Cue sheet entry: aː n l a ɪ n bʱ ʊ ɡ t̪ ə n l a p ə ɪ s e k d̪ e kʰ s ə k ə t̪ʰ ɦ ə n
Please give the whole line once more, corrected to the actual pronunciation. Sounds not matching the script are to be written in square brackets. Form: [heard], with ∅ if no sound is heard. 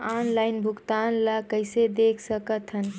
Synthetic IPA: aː n l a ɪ n bʱ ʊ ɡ t̪ [a] n l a [k] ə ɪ s e [∅] d̪ e kʰ s ə k ə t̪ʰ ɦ ə n